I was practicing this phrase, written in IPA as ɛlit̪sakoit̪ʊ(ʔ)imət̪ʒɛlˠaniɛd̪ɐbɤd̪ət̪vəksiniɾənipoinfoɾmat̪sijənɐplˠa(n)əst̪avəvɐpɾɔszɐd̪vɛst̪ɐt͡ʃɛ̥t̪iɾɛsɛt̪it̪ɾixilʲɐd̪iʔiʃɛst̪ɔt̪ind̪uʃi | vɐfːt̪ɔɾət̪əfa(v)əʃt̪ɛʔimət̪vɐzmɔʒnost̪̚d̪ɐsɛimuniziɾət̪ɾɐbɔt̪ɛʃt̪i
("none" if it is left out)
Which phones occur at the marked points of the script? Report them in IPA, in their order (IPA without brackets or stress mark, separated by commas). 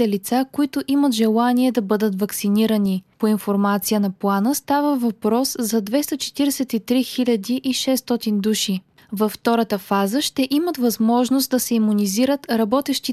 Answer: ʔ, n, z